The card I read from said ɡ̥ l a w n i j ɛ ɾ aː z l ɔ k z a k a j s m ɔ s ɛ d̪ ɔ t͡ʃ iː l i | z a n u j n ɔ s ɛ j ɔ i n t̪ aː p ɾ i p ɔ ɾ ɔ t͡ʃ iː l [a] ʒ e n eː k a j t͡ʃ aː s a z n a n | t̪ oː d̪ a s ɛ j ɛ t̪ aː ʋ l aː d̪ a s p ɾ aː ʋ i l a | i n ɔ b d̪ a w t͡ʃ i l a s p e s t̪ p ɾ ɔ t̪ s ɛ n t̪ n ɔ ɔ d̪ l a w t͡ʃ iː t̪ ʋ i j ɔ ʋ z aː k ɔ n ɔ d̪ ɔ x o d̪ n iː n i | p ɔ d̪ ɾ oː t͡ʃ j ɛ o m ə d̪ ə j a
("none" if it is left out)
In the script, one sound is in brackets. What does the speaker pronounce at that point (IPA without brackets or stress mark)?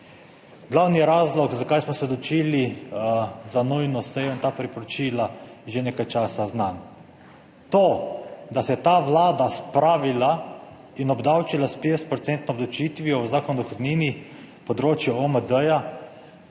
a